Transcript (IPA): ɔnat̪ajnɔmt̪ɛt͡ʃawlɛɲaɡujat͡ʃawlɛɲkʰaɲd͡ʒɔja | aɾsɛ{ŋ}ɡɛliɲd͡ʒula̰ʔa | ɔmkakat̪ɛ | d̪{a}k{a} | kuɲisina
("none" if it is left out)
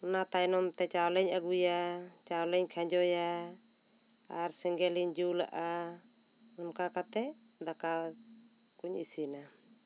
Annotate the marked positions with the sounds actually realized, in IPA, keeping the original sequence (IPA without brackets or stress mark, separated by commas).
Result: ŋ, a, a